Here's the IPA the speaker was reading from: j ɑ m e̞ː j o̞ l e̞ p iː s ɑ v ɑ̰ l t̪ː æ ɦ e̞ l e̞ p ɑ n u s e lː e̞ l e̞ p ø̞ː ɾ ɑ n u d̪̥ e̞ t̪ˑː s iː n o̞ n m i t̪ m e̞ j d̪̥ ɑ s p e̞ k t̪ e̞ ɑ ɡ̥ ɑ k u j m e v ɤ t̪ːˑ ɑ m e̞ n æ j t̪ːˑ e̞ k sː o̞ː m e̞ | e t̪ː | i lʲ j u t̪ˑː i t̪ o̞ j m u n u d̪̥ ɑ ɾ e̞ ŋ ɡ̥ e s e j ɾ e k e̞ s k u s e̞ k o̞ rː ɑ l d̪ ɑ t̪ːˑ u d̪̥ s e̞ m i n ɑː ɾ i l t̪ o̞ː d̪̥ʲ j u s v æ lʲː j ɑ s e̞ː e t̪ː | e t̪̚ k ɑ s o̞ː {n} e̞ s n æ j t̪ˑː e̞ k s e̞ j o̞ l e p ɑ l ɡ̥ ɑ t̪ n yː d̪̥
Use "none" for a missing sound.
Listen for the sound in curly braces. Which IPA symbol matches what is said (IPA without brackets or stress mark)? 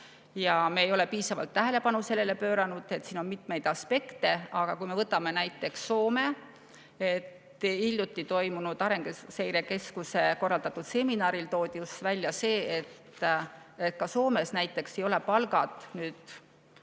m